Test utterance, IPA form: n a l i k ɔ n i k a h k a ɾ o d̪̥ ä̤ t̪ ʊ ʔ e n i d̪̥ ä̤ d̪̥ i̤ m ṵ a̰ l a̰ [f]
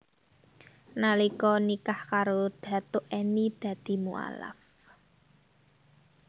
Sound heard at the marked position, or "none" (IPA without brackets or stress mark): f